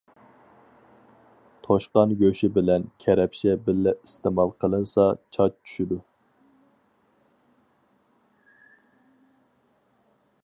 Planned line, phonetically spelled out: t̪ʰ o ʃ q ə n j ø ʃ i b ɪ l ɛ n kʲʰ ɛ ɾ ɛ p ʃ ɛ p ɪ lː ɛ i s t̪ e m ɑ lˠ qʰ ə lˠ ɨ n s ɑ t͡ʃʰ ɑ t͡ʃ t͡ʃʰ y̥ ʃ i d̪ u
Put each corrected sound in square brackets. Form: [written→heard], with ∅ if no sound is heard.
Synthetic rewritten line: t̪ʰ o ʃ q [ə→ɑ] n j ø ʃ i b ɪ l ɛ n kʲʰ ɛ ɾ ɛ p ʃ ɛ [p→b] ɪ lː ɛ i s t̪ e m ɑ lˠ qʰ ə lˠ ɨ n s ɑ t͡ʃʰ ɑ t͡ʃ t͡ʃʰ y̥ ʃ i d̪ u